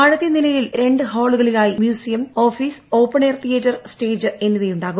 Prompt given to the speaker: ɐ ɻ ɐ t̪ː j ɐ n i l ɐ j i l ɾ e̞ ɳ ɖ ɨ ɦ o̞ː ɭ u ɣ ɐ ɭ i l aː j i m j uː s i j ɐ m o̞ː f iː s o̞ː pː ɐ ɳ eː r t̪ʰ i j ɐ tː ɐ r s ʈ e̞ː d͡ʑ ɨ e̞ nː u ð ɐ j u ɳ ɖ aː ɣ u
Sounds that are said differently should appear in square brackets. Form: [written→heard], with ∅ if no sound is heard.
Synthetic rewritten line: ɐ ɻ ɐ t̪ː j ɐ n i l ɐ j i l ɾ e̞ ɳ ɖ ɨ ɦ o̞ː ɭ u ɣ ɐ ɭ i l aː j i m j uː s i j ɐ m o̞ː f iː s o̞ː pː ɐ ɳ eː r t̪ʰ i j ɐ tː ɐ r s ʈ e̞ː d͡ʑ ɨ e̞ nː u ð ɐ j u ɳ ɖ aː ɣ u